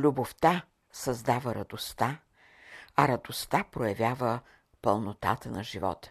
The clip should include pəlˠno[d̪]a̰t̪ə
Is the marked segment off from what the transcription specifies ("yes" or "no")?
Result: yes